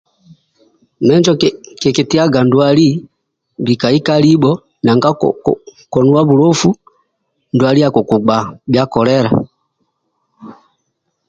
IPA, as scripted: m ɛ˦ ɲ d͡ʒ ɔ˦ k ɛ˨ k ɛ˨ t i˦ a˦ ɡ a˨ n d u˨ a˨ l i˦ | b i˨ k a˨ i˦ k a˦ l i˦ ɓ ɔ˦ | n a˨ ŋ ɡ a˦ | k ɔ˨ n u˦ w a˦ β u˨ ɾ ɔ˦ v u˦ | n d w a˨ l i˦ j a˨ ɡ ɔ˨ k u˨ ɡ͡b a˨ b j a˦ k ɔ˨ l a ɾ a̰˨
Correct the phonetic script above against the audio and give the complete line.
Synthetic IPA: m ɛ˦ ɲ d͡ʒ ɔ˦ k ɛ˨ k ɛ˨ t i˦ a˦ ɡ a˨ n d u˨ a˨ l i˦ | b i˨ k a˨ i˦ k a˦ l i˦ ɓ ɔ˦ | n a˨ ŋ ɡ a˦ | k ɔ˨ n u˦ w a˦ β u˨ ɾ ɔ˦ f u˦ | n d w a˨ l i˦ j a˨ k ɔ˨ k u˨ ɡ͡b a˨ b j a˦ k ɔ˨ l ɛ ɾ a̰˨